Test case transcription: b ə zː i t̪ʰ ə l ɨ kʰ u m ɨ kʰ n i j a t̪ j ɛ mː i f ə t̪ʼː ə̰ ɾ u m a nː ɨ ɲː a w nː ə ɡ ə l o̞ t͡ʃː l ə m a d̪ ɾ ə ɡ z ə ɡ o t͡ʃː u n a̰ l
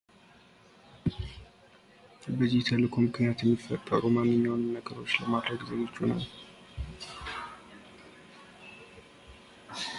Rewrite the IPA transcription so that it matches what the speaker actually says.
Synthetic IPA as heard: b ə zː i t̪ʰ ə l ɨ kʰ o m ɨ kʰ n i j a t̪ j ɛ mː i f ə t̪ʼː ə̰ ɾ u m a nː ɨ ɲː a w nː ə ɡ ə ɾ o̞ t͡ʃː l ə m a d̪ ɾ ə ɡ z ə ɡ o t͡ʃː u n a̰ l